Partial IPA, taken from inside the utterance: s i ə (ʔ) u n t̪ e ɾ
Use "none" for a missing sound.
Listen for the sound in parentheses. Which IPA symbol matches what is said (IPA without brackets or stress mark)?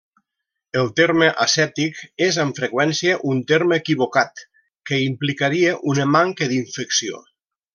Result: ʔ